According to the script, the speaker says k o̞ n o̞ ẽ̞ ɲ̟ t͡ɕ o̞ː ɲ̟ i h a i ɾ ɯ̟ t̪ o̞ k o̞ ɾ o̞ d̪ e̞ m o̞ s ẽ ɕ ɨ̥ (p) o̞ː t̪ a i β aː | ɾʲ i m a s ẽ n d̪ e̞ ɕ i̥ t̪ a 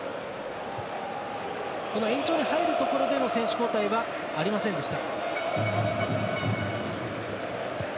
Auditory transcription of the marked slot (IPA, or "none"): k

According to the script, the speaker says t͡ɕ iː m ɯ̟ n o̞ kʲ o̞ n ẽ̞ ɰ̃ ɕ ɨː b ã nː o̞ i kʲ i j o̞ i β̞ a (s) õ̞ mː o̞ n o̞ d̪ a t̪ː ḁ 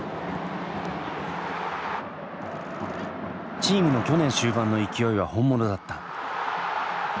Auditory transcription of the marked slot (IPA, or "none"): h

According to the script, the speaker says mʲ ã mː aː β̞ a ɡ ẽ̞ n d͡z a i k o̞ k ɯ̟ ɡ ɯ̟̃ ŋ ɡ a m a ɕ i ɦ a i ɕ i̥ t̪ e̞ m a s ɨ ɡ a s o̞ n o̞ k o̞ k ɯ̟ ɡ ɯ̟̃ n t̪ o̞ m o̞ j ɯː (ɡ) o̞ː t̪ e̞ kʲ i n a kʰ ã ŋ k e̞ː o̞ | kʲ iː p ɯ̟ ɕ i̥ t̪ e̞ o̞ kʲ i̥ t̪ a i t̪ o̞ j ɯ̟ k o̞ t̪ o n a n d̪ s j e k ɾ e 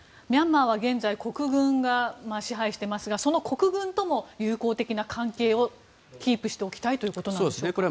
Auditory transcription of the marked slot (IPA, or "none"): k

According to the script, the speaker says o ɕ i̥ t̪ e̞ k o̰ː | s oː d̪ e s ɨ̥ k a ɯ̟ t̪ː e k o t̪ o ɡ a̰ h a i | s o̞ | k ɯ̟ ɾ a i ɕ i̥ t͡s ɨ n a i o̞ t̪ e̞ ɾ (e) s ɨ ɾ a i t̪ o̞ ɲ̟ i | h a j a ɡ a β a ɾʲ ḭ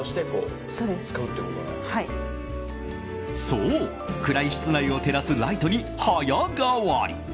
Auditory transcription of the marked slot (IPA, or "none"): a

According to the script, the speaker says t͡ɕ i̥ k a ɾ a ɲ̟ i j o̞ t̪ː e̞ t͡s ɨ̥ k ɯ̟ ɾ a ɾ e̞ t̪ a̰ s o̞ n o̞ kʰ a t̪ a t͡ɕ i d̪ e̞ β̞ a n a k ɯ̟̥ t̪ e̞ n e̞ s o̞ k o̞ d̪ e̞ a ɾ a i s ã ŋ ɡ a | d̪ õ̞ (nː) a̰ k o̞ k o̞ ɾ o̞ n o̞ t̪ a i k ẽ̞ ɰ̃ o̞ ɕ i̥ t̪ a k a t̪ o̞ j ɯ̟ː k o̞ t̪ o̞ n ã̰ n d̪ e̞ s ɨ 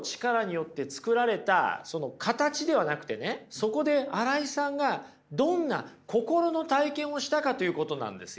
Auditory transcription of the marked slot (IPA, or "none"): nː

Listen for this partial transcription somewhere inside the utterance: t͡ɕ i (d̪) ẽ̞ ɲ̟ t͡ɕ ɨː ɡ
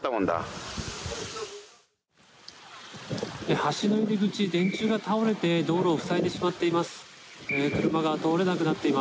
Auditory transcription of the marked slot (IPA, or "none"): d̪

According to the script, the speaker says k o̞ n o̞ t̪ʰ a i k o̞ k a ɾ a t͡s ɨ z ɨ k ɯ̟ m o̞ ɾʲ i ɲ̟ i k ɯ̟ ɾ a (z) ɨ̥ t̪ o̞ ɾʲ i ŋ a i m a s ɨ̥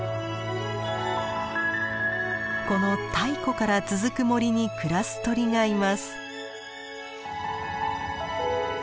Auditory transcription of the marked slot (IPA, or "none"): s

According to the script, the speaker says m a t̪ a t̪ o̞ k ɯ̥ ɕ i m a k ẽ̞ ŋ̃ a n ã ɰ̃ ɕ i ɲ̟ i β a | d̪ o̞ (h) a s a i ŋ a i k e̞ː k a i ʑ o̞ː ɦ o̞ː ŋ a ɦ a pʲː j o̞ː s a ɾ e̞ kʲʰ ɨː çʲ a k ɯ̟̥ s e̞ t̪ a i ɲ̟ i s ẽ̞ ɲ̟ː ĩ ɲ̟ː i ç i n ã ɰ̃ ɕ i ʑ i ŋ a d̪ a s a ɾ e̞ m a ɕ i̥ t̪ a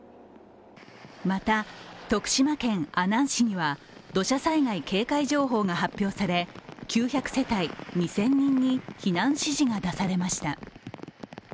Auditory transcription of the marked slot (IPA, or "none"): ɕ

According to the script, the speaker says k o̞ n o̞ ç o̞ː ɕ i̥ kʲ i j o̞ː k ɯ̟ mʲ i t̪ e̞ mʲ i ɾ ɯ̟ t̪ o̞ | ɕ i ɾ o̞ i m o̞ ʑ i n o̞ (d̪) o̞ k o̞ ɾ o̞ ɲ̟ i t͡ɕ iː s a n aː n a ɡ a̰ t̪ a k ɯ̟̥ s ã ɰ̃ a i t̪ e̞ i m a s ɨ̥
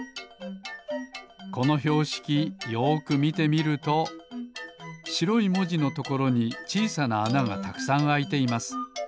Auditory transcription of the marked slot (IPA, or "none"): t̪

